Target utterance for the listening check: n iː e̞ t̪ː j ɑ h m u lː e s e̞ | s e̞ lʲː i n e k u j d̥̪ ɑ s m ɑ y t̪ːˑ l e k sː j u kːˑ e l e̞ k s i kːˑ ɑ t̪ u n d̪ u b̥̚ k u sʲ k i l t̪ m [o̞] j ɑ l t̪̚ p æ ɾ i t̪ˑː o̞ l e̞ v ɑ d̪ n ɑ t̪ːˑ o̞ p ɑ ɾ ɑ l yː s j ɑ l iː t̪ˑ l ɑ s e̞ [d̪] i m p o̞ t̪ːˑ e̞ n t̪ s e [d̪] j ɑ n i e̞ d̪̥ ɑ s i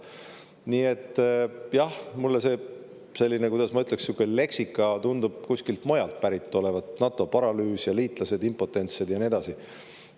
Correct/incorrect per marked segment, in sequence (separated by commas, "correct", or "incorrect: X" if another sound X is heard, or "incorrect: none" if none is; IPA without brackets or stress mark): correct, correct, correct